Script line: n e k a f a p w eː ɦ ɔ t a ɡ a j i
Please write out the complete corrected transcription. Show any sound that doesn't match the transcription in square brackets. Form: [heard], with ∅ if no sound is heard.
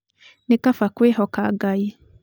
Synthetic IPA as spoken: n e k a f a [k] w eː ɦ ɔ [k] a ɡ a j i